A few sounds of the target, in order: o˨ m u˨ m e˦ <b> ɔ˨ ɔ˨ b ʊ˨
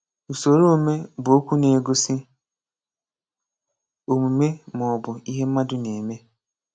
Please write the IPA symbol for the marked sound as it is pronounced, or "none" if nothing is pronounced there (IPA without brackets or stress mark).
m